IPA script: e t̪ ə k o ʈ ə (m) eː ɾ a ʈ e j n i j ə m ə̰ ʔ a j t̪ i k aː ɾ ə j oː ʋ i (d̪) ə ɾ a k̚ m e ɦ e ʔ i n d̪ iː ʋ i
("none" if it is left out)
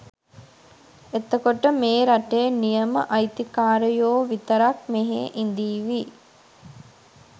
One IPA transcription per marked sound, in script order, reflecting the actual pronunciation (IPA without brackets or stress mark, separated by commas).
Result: m, t̪